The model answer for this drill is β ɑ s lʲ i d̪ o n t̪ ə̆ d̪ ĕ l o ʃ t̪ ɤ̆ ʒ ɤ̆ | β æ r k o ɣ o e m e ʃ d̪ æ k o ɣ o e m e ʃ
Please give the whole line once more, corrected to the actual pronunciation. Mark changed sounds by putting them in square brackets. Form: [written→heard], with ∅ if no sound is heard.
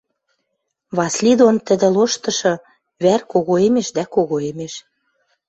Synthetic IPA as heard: β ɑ s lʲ i d̪ o n t̪ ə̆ d̪ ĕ l o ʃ t̪ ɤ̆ [ʒ→ʃ] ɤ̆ | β æ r k o ɣ o e m e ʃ d̪ æ k o ɣ o e m e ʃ